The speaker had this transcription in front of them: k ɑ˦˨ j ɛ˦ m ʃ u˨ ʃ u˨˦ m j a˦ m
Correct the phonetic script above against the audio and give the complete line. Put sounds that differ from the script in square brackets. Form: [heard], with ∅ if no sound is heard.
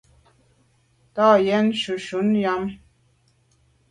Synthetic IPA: [t] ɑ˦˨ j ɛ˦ [n] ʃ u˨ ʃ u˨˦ [n] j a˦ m